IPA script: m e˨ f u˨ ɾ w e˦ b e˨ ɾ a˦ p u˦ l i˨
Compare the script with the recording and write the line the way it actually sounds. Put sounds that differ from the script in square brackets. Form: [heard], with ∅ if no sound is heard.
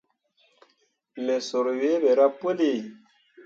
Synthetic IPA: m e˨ [s] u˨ ɾ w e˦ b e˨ ɾ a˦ p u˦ l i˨